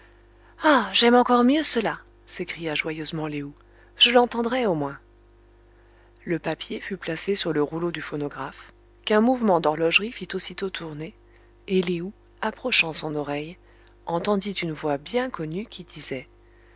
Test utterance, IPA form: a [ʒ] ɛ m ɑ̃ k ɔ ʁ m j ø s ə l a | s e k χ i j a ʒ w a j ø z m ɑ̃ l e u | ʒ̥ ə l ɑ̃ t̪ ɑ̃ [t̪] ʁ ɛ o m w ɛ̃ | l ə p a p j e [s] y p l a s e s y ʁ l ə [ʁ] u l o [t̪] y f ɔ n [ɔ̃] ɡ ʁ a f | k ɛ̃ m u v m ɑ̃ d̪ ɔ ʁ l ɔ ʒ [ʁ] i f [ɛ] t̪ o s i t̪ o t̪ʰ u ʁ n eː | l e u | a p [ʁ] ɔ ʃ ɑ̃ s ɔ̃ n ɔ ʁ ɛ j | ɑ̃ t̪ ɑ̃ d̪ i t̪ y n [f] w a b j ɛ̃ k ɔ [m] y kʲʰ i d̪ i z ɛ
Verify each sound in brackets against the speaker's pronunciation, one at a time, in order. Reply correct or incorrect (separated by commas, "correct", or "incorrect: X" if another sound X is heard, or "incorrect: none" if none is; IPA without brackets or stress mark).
correct, incorrect: d̪, incorrect: f, correct, incorrect: d̪, incorrect: ɔ, correct, incorrect: i, incorrect: χ, incorrect: v, incorrect: n